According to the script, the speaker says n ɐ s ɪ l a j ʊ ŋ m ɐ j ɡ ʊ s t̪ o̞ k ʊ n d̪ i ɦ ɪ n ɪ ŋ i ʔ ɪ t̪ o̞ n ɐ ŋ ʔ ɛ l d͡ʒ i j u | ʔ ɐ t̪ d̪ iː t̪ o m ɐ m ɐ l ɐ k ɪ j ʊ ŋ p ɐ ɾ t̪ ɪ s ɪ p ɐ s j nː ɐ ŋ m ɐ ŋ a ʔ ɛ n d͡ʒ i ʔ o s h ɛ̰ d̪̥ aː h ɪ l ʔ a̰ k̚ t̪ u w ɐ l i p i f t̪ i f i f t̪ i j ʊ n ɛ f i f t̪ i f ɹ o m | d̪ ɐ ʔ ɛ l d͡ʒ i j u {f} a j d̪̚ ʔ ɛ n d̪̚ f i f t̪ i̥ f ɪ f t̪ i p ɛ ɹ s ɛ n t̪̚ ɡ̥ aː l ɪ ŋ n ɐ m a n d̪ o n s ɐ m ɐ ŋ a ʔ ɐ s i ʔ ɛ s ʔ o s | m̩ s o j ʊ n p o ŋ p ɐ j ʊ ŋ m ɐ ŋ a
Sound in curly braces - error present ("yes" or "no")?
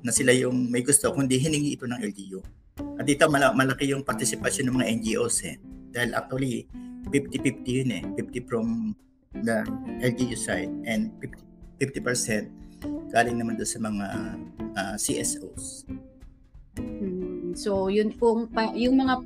yes